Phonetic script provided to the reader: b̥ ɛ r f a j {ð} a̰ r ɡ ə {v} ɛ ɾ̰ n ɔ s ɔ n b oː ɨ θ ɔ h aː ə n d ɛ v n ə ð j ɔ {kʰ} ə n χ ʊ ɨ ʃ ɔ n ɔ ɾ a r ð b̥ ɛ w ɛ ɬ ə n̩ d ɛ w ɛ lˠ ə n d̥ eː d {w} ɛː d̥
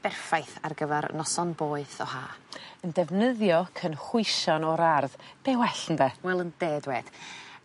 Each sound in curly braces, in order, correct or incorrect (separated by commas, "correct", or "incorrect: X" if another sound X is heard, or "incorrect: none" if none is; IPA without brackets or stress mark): incorrect: θ, correct, correct, correct